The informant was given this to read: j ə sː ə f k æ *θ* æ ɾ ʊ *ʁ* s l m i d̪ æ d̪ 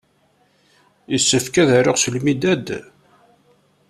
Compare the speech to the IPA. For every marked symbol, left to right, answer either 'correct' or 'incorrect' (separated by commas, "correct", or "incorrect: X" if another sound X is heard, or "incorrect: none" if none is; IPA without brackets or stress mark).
incorrect: ð, correct